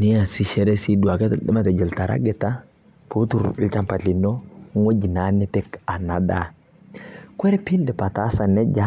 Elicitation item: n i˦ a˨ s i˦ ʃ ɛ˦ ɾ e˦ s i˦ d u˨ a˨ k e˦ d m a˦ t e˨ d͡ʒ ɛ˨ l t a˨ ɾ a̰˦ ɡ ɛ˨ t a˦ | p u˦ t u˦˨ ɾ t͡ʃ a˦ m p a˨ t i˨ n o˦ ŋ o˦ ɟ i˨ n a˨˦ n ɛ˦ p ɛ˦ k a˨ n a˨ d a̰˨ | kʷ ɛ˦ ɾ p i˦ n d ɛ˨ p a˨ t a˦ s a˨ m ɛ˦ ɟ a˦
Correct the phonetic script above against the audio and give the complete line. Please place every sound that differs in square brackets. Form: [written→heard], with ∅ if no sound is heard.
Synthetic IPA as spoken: n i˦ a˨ s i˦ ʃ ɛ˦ ɾ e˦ s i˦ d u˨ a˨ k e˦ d m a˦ t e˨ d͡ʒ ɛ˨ l t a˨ ɾ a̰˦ ɡ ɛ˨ t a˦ | p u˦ t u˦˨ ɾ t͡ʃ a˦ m p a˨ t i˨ n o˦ ŋ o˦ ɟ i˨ n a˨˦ n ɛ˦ p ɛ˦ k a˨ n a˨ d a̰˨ | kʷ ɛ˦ ɾ p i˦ n d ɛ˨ p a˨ t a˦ s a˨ [m→n] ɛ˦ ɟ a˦